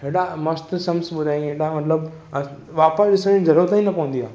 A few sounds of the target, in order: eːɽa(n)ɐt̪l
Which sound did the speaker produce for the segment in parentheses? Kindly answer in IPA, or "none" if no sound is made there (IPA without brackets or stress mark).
m